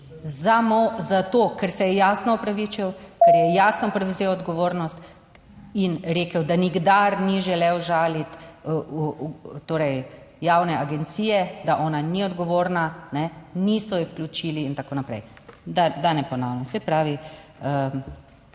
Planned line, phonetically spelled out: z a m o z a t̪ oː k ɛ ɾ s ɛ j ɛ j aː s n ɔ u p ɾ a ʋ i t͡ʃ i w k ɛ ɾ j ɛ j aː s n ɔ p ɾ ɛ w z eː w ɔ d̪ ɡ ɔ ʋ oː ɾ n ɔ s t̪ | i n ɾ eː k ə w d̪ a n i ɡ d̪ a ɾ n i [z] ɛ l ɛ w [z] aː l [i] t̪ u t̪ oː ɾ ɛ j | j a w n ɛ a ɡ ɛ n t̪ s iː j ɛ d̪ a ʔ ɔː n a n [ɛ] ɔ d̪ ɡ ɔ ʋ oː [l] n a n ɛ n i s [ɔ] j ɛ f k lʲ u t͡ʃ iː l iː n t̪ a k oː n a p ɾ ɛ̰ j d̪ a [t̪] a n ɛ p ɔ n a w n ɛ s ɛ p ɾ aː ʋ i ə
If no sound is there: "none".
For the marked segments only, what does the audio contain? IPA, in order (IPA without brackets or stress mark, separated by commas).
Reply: ʒ, ʒ, i, i, ɾ, ɔ, d̪